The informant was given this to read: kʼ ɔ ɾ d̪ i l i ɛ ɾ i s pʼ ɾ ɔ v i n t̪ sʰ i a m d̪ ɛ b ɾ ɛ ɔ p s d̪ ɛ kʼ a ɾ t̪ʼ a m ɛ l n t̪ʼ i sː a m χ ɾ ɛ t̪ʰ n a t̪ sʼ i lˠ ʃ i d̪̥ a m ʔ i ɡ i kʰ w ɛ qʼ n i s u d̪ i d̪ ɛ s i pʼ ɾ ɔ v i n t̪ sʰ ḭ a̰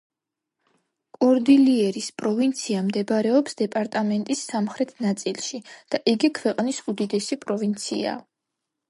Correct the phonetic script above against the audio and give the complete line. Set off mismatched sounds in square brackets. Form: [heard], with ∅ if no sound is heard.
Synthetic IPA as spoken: kʼ ɔ ɾ d̪ i l i ɛ ɾ i s pʼ ɾ ɔ v i n t̪ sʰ i a m d̪ ɛ b ɾ ɛ ɔ p s d̪ ɛ [pʼ] a ɾ t̪ʼ a m ɛ [∅] n t̪ʼ i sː a m χ ɾ ɛ t̪ʰ n a t̪ sʼ i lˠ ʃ i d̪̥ a [∅] ʔ i ɡ i kʰ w ɛ qʼ n i s u d̪ i d̪ ɛ s i pʼ ɾ ɔ v i n t̪ sʰ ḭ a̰